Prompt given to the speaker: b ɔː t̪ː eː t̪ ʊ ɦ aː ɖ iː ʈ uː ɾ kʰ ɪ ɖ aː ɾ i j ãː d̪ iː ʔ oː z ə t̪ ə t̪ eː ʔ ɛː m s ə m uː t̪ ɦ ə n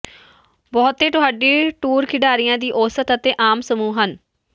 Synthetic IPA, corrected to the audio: b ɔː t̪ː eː t̪ ʊ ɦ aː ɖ iː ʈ uː ɾ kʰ ɪ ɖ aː ɾ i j ãː d̪ iː ʔ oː s ə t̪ ə t̪ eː ʔ aː m s ə m uː ɦ ə n